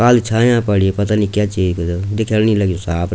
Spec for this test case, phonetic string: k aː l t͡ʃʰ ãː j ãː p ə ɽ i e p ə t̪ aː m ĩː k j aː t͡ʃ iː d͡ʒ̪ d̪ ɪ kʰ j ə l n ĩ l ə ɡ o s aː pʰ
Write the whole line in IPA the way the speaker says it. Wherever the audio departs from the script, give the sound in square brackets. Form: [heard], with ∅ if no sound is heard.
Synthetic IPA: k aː l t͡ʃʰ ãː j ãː p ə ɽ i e p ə t̪ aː [n] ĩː k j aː t͡ʃ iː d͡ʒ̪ d̪ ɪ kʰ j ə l n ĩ l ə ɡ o s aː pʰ